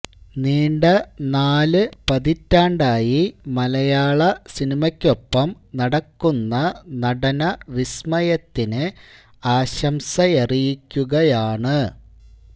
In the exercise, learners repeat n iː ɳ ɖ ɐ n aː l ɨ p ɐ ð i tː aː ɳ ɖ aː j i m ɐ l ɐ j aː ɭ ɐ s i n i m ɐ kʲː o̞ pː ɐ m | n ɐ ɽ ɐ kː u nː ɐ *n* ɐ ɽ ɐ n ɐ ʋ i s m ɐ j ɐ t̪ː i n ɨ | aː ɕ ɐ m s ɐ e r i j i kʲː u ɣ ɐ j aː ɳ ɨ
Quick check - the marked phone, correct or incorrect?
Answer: correct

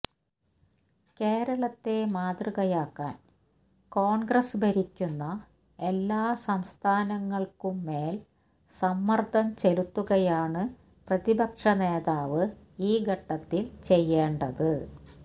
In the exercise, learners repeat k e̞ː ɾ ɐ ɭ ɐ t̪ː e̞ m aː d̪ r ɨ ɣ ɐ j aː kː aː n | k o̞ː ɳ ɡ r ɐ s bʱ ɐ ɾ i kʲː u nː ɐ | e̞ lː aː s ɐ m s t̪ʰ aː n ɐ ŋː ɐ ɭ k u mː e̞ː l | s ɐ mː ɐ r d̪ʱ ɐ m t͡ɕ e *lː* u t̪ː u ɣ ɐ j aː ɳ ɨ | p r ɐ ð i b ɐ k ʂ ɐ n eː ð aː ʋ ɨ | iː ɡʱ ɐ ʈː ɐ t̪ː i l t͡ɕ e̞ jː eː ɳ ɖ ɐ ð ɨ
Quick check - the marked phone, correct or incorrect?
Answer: incorrect: l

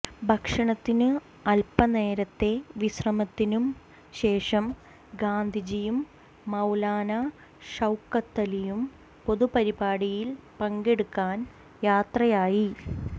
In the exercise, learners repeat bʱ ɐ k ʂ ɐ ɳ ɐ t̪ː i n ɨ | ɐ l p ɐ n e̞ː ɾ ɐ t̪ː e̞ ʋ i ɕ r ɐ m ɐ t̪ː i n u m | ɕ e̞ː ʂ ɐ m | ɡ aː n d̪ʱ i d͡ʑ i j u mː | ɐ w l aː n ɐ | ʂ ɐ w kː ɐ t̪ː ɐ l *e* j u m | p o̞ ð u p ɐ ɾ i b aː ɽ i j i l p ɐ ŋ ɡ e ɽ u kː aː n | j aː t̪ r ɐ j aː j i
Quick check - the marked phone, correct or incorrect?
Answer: incorrect: i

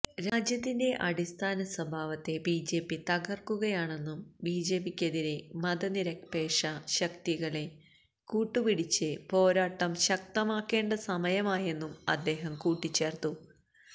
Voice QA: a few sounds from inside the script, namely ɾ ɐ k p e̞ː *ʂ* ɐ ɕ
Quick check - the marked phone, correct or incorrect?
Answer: correct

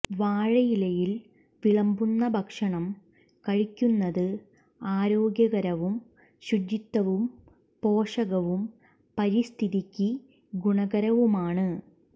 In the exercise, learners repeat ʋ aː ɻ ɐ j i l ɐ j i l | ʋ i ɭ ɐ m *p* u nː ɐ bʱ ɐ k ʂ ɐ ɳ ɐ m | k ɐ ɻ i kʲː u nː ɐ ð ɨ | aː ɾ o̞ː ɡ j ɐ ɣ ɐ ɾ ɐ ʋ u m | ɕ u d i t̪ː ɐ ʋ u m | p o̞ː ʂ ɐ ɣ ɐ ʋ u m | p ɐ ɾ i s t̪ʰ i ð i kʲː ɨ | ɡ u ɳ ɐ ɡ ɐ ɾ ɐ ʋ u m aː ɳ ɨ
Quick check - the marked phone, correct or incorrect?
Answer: incorrect: b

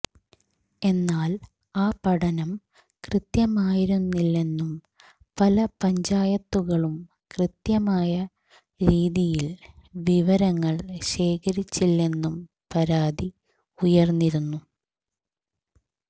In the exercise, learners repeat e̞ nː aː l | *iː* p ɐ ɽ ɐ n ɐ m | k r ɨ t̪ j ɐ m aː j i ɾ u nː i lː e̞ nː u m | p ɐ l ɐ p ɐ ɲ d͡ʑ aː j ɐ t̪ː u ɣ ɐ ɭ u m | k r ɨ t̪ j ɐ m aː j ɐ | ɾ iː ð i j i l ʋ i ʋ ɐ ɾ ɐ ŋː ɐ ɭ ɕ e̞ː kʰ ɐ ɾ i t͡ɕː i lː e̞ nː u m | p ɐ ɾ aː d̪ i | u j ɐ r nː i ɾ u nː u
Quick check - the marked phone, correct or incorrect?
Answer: incorrect: aː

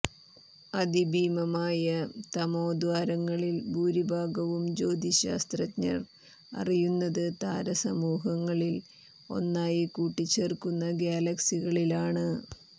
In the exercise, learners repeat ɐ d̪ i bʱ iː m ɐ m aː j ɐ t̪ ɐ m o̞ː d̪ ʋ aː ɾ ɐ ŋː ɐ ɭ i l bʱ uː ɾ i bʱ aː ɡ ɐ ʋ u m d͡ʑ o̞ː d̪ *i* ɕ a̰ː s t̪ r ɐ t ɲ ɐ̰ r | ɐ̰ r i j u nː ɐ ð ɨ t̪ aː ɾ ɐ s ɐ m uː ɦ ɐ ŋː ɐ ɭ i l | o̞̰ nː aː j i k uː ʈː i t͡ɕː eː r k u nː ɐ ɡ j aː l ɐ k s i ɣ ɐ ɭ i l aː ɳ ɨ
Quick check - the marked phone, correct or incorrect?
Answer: correct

